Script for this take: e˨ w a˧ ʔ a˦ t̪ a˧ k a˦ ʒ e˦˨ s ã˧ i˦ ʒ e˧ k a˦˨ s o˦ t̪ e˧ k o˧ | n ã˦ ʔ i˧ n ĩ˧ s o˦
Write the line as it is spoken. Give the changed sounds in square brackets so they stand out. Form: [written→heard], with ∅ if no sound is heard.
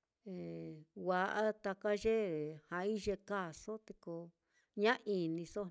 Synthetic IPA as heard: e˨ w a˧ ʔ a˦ t̪ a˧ k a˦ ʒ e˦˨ [s→h] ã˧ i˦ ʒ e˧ k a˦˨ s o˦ t̪ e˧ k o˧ | [n→ɲ] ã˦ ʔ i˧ n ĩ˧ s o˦